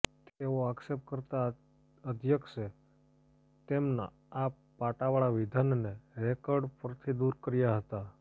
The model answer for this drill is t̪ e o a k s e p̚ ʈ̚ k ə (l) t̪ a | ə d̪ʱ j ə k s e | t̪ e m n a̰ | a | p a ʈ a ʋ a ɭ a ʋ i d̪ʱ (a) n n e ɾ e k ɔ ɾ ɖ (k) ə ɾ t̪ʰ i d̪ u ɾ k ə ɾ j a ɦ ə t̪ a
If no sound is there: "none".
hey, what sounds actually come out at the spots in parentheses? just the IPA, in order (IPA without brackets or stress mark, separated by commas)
ɾ, a, p